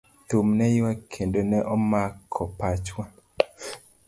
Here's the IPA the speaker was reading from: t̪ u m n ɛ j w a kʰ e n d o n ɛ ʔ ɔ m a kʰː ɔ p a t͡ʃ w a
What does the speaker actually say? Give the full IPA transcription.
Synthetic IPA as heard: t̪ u m n ɛ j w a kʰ e n d o n ɛ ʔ ɔ m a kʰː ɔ p a t͡ʃ w a